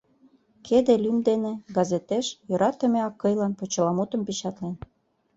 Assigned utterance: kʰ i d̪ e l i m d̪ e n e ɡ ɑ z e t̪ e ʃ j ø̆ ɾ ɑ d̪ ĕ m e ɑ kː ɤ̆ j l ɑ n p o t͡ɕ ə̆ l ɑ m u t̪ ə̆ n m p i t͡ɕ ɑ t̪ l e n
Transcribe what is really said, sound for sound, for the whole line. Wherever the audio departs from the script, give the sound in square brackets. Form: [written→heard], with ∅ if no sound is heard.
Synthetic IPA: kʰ [i→e] d̪ e l [i→y] m d̪ e n e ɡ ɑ z e t̪ e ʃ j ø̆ ɾ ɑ [d̪→t̪] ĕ m e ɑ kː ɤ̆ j l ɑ n p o t͡ɕ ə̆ l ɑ m u t̪ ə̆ [n→∅] m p i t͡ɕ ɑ t̪ l e n